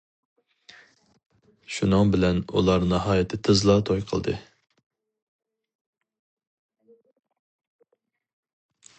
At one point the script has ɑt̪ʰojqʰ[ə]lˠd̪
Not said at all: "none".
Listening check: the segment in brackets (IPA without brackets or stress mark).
ə